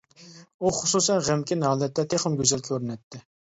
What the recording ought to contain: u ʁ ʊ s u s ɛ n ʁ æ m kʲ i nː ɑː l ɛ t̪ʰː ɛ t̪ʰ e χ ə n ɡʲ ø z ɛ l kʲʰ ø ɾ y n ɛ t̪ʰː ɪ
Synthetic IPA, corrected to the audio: u χ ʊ s u s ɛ n ʁ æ m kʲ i n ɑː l ɛ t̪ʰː ɛ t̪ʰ e χ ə m ɡʲ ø z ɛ l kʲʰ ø ɾ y n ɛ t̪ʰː ɪ